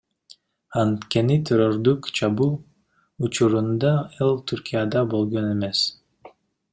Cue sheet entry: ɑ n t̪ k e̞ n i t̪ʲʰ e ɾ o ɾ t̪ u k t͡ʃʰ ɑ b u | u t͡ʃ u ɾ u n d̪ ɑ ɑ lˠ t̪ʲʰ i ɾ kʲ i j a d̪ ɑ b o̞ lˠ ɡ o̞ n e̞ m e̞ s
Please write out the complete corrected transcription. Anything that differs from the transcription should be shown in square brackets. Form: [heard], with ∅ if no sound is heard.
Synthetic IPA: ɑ n t̪ k e̞ n i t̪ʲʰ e ɾ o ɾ [d̪] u k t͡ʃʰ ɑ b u | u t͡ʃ u ɾ u n d̪ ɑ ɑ lˠ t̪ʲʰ [y] ɾ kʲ i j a d̪ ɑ b o̞ lˠ ɡ o̞ n e̞ m e̞ s